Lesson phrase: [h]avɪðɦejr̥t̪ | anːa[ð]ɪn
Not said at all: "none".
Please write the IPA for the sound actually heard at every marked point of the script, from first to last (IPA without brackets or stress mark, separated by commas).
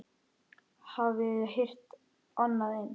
h, ð